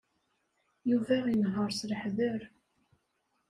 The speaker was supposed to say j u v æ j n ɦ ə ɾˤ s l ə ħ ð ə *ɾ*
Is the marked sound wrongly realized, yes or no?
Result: no